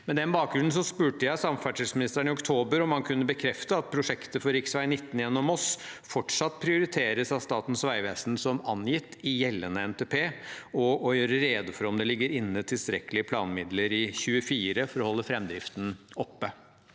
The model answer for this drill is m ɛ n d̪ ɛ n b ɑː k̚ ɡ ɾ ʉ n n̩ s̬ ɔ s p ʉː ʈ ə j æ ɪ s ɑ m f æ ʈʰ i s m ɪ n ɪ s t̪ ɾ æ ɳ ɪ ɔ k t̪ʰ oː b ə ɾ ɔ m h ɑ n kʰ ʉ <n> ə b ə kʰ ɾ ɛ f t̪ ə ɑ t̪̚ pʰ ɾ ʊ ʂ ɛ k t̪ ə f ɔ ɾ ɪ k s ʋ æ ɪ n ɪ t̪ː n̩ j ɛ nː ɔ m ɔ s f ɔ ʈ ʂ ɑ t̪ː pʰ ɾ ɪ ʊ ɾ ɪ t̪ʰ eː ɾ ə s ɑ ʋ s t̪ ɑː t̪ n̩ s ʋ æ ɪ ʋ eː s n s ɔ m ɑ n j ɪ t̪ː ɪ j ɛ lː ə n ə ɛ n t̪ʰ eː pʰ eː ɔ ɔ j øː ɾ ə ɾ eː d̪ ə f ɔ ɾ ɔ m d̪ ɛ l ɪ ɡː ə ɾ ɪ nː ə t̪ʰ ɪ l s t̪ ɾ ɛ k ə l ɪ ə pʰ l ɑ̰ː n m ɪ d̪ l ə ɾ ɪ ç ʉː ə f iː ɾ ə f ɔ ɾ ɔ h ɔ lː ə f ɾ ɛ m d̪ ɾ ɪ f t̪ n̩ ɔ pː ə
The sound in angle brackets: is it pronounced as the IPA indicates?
no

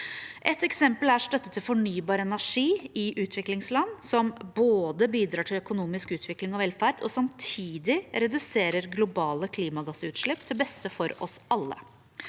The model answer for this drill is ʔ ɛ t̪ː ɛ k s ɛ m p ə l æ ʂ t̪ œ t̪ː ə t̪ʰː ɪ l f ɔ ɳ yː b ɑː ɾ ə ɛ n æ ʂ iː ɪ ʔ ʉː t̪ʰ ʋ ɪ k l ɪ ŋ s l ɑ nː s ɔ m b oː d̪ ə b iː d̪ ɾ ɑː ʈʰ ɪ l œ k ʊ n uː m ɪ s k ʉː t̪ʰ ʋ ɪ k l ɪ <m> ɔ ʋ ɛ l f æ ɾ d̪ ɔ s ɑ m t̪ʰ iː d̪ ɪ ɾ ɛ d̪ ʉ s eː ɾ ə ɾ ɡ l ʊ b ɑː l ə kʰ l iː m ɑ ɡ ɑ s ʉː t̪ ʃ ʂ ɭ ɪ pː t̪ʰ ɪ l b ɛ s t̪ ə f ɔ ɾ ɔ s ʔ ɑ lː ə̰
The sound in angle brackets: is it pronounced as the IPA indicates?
no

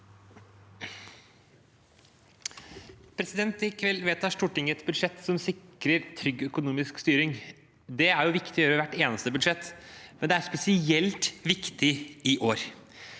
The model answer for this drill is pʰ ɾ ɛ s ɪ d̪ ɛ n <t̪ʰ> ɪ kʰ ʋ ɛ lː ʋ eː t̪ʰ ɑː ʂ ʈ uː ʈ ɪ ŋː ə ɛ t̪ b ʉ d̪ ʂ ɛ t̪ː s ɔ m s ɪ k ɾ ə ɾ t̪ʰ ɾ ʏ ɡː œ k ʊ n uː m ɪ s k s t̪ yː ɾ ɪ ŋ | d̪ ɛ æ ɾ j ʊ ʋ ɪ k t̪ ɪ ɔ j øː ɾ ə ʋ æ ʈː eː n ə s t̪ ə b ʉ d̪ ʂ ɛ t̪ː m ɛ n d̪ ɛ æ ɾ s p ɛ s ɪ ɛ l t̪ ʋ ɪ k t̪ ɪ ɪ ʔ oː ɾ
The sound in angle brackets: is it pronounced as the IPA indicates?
no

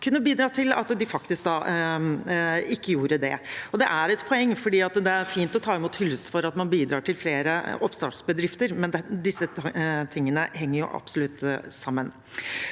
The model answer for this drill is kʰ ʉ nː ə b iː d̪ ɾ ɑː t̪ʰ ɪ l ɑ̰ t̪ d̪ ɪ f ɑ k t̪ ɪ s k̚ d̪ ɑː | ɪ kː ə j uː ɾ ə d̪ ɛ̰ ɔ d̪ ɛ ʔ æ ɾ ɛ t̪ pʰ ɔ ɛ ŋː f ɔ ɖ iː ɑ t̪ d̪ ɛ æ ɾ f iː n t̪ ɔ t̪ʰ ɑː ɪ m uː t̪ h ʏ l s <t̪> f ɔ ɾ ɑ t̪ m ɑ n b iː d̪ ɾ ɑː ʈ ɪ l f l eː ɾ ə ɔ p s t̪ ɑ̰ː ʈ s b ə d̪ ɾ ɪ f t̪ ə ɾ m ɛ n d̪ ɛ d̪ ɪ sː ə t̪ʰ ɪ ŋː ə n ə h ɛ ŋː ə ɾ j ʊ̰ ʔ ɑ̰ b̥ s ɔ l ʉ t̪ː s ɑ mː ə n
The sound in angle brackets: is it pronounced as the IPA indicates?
yes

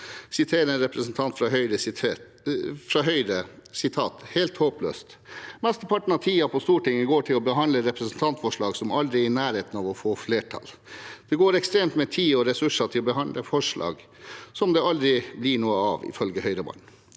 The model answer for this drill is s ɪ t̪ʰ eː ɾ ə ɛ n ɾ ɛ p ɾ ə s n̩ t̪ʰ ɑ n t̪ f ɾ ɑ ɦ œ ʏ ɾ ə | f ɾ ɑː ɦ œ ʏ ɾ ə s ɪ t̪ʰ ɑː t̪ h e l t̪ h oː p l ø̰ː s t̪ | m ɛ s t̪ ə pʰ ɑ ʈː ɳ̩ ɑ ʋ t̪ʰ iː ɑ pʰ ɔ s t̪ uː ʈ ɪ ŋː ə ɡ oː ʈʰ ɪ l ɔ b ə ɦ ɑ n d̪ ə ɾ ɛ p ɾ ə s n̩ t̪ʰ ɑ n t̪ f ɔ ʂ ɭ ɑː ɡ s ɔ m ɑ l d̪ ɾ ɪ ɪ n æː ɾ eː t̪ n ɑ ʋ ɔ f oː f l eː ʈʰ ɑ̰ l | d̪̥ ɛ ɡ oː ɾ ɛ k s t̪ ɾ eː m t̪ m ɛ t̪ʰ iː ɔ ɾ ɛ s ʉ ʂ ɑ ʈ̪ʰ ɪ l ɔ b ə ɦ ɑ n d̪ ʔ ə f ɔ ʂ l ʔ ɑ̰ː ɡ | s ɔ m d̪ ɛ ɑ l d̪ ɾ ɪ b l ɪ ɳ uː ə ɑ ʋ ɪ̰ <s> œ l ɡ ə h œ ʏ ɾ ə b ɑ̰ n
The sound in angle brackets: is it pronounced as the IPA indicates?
no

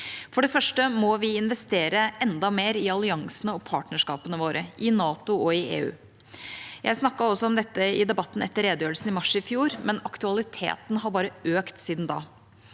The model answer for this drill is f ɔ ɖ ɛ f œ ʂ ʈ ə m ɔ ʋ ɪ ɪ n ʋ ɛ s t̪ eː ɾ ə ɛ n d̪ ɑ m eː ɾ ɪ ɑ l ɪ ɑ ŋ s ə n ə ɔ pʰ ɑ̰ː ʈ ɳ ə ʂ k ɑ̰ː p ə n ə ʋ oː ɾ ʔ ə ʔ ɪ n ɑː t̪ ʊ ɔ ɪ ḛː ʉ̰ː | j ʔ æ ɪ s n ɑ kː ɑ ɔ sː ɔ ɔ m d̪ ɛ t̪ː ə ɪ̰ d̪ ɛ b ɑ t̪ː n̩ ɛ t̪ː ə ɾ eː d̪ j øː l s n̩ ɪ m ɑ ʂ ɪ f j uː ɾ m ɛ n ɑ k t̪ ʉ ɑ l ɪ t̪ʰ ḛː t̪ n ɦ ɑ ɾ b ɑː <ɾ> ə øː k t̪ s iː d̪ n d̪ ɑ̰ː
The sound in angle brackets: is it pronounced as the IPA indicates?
yes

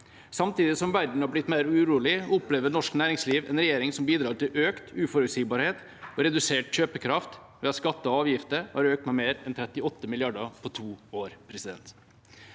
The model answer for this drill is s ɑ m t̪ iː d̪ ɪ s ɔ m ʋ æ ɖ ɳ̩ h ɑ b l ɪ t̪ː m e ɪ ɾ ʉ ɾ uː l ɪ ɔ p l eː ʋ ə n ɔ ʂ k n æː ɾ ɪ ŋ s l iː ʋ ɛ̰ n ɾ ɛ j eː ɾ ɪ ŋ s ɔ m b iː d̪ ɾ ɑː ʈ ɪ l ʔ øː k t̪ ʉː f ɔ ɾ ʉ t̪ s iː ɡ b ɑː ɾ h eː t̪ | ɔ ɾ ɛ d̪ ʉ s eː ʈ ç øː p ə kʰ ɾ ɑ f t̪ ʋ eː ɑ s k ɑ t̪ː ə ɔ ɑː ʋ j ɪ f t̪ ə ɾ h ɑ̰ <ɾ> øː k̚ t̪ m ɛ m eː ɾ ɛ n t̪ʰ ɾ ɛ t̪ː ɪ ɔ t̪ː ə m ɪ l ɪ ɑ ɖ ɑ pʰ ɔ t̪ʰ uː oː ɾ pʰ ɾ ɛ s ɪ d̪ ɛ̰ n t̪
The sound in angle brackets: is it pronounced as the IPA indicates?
yes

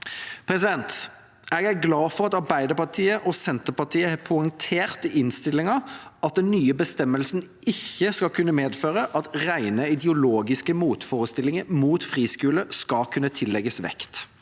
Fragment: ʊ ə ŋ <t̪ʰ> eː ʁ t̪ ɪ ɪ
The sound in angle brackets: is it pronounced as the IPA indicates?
yes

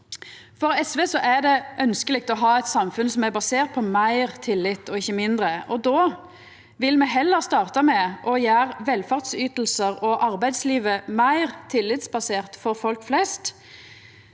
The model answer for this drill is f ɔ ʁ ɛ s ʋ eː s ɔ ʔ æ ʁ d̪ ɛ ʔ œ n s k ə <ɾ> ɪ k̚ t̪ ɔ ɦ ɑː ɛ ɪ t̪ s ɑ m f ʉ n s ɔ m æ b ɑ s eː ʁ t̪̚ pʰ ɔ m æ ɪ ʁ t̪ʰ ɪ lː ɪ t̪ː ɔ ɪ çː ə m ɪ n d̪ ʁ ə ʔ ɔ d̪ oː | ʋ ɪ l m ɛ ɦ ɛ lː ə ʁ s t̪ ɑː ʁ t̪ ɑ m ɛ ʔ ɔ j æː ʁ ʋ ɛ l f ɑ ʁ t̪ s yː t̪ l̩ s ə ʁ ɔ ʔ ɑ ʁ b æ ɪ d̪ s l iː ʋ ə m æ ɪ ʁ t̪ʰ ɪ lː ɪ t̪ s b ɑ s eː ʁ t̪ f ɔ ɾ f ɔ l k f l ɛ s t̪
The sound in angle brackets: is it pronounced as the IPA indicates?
no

